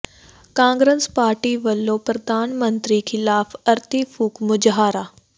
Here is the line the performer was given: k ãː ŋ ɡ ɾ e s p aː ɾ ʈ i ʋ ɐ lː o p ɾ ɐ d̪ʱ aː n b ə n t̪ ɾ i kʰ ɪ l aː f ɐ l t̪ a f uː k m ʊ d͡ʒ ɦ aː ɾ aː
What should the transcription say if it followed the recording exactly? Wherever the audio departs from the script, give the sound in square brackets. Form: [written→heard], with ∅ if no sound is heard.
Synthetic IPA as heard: k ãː ŋ ɡ ɾ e s p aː ɾ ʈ i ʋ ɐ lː o p ɾ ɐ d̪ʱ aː n [b→m] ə n t̪ ɾ i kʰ ɪ l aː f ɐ [l→ɾ] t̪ [a→i] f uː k m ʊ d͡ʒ ɦ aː ɾ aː

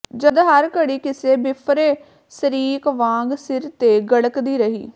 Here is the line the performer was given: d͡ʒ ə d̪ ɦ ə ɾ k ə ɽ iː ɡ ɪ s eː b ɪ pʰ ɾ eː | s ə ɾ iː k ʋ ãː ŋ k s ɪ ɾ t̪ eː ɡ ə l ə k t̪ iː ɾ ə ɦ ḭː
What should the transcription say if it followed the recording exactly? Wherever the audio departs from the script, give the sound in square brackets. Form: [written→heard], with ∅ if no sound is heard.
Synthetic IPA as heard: d͡ʒ ə d̪ ɦ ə ɾ k ə ɽ iː [ɡ→k] ɪ s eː b ɪ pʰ ɾ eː | s ə ɾ iː k ʋ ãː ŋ [k→ɡ] s ɪ ɾ t̪ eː ɡ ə [l→ɽ] ə k [t̪→d̪] iː ɾ ə ɦ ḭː

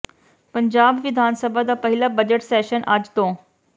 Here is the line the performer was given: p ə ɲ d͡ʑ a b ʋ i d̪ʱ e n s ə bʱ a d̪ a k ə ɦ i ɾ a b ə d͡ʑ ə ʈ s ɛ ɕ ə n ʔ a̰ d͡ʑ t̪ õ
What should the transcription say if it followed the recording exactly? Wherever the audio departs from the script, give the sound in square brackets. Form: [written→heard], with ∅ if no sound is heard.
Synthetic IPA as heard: p ə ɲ d͡ʑ a b ʋ i d̪ʱ [e→a] n s ə bʱ a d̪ a [k→p] ə ɦ i [ɾ→l] a b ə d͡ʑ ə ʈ s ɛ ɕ ə n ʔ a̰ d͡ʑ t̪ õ

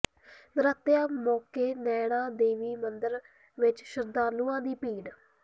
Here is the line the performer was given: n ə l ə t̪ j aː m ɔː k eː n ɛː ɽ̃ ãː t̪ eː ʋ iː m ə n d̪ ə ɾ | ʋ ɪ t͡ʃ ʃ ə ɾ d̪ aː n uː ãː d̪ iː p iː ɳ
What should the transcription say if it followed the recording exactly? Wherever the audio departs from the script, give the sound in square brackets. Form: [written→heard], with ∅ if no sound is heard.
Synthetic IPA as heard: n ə [l→ɾ] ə t̪ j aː m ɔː k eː n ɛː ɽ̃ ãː [t̪→d̪] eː ʋ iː m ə n d̪ ə ɾ | ʋ ɪ t͡ʃ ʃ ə ɾ d̪ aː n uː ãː d̪ iː p iː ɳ

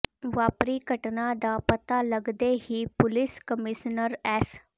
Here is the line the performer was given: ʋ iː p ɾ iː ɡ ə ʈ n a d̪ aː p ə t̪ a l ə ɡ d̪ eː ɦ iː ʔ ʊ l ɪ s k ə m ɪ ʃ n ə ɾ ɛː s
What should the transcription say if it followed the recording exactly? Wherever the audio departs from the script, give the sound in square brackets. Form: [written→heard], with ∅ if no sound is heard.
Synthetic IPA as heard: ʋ [iː→aː] p ɾ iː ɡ ə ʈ n a d̪ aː p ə t̪ a l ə ɡ d̪ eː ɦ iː [ʔ→p] ʊ l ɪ s k ə m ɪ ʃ n ə ɾ ɛː s

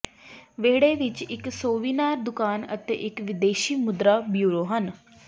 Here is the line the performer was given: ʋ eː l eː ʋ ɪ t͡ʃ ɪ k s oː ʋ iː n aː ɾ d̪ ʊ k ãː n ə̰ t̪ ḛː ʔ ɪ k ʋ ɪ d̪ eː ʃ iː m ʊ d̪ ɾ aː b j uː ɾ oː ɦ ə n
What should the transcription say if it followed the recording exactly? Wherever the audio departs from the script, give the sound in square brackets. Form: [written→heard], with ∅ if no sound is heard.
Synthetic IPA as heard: ʋ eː [l→ɽ] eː ʋ ɪ t͡ʃ ɪ k s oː ʋ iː n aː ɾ d̪ ʊ k [ãː→aː] n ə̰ t̪ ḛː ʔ ɪ k ʋ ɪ d̪ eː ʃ iː m ʊ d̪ ɾ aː b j uː ɾ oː ɦ ə n

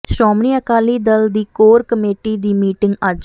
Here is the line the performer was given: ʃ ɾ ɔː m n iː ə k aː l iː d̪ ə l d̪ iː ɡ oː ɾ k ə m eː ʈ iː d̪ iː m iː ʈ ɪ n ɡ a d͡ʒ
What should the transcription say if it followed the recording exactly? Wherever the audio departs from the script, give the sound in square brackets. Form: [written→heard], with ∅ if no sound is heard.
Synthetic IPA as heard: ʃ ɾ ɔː m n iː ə k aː l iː d̪ ə l d̪ iː [ɡ→k] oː ɾ k ə m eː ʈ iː d̪ iː m iː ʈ ɪ [n→ŋ] ɡ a d͡ʒ

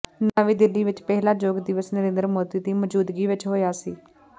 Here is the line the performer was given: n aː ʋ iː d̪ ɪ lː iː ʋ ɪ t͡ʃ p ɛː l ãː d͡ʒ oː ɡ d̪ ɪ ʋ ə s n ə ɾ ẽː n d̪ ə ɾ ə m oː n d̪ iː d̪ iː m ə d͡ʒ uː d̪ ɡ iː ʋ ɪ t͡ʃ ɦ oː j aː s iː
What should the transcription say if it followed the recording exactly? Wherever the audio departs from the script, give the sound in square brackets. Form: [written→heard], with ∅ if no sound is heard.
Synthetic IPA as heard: n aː ʋ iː d̪ ɪ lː iː ʋ ɪ t͡ʃ p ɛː l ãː d͡ʒ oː ɡ d̪ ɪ ʋ ə s n ə ɾ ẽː n d̪ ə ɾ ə m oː [n→∅] d̪ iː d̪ iː m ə d͡ʒ uː d̪ ɡ iː ʋ ɪ t͡ʃ ɦ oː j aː s iː

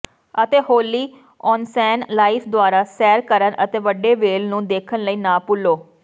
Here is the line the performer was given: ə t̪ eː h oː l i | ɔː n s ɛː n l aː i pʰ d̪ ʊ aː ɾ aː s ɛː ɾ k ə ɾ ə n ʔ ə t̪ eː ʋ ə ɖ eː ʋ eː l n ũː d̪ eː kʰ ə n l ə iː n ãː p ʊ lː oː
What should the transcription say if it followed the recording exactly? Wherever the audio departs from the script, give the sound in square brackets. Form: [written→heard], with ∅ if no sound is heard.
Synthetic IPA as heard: ə t̪ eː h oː l [i→iː] | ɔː n s ɛː n l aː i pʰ d̪ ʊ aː ɾ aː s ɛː ɾ k ə ɾ ə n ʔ ə t̪ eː ʋ ə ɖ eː ʋ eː l n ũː d̪ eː kʰ ə n l ə iː n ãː p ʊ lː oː

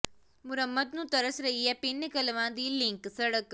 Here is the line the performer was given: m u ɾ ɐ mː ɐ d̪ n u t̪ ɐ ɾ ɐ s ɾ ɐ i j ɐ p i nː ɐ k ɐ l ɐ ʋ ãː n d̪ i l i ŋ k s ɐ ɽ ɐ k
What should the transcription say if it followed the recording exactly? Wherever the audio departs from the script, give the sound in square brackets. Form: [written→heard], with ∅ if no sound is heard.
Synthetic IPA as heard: m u ɾ ɐ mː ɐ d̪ n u t̪ ɐ ɾ ɐ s ɾ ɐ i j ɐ p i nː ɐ k ɐ l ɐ ʋ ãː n d̪ i l i ŋ k s ɐ ɽ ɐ k

